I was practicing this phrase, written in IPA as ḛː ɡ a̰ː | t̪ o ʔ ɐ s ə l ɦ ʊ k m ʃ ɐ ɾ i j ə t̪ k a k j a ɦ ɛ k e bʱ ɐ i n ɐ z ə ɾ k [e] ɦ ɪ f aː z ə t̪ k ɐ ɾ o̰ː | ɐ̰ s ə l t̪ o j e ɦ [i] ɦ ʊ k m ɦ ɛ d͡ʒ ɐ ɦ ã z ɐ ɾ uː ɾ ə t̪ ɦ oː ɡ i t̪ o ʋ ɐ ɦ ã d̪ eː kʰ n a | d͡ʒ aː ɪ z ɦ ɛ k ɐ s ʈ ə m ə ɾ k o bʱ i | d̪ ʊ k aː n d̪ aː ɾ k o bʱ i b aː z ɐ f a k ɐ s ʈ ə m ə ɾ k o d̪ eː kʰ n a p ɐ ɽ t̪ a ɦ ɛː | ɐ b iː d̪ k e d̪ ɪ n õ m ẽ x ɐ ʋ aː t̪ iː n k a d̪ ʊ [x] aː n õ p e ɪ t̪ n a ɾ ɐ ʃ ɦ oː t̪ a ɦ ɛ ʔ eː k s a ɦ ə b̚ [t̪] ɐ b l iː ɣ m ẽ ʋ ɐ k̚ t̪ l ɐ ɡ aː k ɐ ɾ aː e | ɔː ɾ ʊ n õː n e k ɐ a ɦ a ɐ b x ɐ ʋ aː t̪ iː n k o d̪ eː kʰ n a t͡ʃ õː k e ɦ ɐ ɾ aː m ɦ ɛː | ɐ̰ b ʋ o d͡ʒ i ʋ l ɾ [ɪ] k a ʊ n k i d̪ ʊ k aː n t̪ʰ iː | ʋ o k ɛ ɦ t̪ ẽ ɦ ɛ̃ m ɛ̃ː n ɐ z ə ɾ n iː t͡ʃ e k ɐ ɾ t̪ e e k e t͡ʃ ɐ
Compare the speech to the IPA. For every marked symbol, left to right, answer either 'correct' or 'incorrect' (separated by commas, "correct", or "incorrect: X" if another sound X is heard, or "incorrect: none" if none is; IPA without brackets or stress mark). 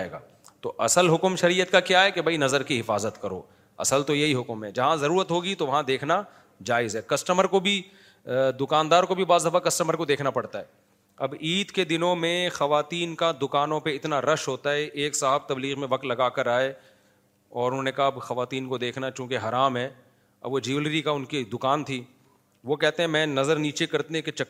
incorrect: i, correct, incorrect: k, correct, incorrect: i